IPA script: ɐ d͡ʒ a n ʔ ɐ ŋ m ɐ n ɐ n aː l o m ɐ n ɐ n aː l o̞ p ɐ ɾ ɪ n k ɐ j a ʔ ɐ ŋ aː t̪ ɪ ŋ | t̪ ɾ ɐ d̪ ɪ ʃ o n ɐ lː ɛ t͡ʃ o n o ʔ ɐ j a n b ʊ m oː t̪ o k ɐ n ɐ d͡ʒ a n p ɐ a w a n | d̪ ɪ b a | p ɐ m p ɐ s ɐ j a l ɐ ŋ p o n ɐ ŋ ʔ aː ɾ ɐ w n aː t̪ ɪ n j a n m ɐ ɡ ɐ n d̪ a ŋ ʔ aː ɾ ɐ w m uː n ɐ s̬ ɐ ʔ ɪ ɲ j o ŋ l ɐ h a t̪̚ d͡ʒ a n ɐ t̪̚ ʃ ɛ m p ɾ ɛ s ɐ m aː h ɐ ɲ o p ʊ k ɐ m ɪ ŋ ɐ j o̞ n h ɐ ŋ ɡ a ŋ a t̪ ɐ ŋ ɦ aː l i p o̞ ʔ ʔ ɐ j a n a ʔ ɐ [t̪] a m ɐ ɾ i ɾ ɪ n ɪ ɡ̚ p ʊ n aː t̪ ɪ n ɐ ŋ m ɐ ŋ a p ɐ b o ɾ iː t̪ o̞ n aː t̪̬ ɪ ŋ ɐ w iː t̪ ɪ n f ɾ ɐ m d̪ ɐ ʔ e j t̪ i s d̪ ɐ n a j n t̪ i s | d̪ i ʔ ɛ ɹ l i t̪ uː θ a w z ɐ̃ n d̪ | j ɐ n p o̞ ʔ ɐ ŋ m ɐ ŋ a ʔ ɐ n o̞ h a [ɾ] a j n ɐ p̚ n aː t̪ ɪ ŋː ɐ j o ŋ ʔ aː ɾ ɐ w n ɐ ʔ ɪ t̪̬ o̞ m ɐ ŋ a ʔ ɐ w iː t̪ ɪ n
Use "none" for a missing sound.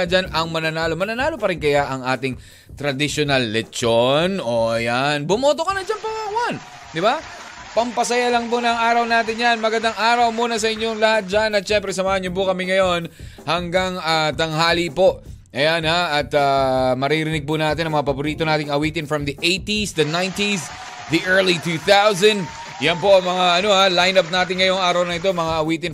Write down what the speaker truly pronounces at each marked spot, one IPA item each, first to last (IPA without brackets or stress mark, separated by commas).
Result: t̪, l